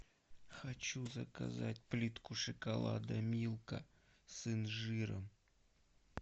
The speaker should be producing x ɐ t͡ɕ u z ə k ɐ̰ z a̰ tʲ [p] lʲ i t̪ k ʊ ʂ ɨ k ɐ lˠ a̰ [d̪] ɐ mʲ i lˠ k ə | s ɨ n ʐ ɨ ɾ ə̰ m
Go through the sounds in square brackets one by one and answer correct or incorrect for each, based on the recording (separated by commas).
correct, correct